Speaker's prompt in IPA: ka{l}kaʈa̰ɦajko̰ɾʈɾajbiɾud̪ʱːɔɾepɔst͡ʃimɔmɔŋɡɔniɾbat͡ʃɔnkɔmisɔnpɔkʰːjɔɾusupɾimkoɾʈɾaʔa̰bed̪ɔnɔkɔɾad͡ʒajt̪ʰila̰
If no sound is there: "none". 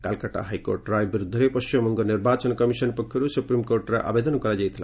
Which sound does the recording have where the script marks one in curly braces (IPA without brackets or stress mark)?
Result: l